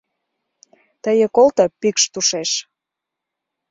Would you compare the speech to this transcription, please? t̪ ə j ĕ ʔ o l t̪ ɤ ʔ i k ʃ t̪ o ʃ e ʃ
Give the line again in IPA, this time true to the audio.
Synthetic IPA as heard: t̪ ə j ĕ k o l t̪ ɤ p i k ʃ t̪ u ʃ e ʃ